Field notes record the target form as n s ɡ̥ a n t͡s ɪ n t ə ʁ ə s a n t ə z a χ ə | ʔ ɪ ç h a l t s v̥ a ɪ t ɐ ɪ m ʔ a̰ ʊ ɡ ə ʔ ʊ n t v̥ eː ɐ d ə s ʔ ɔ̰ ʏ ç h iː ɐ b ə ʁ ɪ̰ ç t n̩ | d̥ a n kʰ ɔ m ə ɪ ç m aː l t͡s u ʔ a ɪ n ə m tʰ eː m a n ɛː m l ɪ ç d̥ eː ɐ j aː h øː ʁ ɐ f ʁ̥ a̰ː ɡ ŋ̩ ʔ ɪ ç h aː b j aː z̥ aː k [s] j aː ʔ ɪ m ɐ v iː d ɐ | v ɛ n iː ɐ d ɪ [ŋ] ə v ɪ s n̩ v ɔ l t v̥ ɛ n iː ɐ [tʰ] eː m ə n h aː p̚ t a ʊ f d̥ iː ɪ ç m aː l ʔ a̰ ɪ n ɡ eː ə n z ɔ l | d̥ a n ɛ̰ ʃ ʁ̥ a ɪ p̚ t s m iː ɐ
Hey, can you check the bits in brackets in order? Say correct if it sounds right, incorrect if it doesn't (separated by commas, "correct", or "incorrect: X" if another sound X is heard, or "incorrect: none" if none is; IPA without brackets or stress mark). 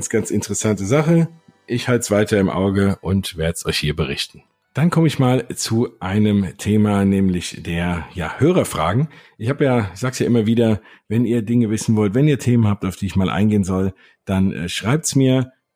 correct, correct, correct